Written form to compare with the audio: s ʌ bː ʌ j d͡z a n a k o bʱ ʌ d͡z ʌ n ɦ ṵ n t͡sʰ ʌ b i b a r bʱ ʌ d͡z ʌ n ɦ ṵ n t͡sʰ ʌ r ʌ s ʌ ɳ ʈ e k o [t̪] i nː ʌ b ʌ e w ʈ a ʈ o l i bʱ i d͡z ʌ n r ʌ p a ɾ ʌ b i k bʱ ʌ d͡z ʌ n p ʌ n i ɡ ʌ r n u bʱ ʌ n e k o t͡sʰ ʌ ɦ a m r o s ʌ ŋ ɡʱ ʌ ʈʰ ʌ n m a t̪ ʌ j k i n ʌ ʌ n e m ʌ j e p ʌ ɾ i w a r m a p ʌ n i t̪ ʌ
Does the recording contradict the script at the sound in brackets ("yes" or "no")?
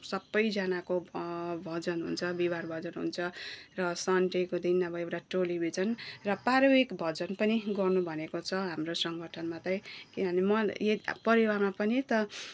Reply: yes